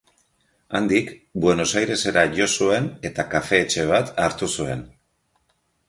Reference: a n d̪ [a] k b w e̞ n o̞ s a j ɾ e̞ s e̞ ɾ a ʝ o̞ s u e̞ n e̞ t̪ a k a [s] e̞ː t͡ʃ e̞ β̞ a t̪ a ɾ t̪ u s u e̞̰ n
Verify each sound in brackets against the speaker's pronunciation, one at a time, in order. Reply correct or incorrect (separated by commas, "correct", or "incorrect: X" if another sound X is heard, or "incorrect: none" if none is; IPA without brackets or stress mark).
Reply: incorrect: i, incorrect: f